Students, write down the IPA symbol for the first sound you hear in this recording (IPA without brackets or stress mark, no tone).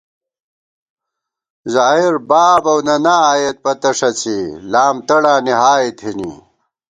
z